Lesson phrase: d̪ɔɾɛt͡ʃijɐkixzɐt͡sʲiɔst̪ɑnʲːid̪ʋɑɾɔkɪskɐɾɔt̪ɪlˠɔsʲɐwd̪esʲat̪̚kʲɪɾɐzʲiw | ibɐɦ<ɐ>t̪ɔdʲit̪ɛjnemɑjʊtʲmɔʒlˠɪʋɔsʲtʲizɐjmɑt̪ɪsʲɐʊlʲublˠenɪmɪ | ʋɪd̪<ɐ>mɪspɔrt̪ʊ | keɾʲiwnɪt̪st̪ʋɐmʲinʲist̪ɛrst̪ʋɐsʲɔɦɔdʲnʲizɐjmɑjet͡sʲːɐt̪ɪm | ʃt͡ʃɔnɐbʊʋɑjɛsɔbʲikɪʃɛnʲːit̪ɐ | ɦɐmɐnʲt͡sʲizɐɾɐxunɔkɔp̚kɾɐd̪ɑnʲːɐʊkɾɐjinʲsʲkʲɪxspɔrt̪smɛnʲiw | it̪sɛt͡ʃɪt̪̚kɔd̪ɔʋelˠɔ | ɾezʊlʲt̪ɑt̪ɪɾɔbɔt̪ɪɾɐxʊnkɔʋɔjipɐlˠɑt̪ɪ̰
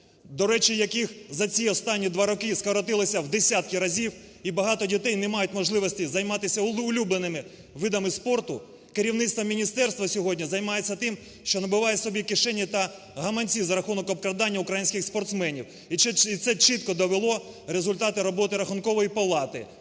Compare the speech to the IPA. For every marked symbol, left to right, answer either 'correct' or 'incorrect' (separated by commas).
incorrect, correct